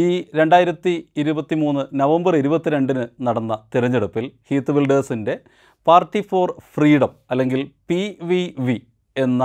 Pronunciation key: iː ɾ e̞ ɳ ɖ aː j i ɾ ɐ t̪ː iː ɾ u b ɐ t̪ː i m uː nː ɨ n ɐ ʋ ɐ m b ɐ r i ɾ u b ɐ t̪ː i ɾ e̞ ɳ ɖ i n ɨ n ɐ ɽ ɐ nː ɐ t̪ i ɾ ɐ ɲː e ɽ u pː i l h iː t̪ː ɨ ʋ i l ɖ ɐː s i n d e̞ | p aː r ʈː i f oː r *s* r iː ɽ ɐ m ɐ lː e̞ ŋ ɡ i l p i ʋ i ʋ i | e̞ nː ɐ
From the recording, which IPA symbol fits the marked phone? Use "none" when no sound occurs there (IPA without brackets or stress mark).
f